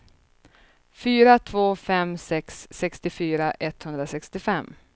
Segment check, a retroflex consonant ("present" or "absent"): absent